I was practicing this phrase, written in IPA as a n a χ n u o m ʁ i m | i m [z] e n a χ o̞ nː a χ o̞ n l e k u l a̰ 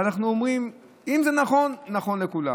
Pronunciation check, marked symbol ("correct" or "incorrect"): correct